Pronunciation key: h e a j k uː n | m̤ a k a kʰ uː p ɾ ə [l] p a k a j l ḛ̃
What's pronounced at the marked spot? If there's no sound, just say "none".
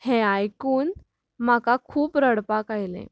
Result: ɽ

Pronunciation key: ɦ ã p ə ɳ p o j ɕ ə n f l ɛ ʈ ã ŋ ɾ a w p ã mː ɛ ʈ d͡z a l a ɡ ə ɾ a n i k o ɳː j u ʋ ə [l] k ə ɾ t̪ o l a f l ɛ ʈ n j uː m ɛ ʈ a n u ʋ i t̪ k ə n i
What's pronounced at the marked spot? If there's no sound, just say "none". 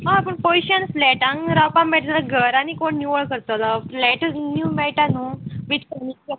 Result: ɭ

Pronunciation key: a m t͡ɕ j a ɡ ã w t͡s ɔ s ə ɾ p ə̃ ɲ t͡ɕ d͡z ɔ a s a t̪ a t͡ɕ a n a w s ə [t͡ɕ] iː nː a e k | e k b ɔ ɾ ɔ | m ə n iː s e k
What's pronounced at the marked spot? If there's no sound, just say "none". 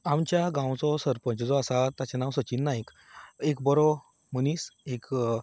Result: t͡ɕ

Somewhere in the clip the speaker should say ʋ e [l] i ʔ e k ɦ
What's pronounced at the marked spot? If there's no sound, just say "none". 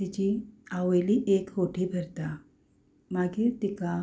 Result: l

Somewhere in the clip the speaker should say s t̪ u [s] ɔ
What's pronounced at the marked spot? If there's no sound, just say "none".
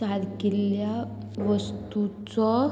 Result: t͡s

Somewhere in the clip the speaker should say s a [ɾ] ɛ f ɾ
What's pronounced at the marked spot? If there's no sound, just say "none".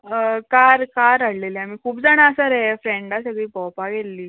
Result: ɾ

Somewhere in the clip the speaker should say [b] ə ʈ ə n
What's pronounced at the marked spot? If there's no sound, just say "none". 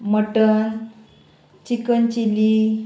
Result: m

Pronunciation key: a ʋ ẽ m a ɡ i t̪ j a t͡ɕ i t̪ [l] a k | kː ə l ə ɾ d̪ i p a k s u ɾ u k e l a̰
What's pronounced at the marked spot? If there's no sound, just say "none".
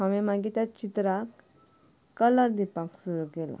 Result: ɾ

